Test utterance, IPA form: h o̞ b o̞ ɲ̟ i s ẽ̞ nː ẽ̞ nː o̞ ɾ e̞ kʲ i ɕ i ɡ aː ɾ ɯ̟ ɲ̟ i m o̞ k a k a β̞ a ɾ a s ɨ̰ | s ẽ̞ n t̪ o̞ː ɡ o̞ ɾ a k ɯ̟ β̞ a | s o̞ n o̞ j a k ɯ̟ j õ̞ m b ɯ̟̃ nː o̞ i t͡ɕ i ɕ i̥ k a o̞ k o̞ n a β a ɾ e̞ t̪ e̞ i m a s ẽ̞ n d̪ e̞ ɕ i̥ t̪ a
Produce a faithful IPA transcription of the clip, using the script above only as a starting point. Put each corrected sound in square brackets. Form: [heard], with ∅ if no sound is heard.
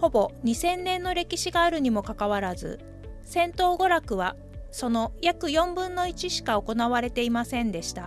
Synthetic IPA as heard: h o̞ b o̞ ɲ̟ i s ẽ̞ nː ẽ̞ nː o̞ ɾ e̞ kʲ i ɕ i ɡ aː ɾ ɯ̟ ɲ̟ i m o̞ k a k a β̞ a ɾ a [z] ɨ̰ | s ẽ̞ n t̪ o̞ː ɡ o̞ ɾ a k ɯ̟ β̞ a | s o̞ n o̞ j a k ɯ̟ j õ̞ m b ɯ̟̃ nː o̞ i t͡ɕ i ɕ i̥ k a o̞ k o̞ n a β a ɾ e̞ t̪ e̞ i m a s ẽ̞ n d̪ e̞ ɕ i̥ t̪ a